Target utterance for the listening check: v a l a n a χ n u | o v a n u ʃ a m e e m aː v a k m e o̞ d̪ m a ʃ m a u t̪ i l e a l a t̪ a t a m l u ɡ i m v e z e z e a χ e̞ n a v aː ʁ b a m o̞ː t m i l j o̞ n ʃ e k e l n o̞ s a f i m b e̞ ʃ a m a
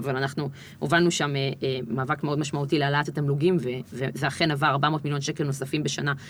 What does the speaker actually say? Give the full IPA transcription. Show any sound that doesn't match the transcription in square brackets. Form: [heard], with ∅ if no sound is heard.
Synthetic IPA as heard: v a l a n a χ n u | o v a n u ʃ a m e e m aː v a k m e o̞ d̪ m a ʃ m a u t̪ i l e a l a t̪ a t a m l u ɡ i m v e [v] e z e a χ e̞ n a v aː ʁ b a m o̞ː t m i l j o̞ n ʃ e k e l n o̞ s a f i m b e̞ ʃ a [n] a